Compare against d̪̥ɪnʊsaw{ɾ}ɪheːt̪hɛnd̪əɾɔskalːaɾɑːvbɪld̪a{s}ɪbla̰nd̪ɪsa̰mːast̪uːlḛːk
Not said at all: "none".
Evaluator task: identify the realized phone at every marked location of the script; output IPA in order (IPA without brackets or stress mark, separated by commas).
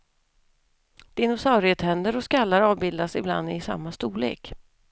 ɾ, s